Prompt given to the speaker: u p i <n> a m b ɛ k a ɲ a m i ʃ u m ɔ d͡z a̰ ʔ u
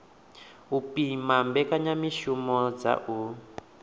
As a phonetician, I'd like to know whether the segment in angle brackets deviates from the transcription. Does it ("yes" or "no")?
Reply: yes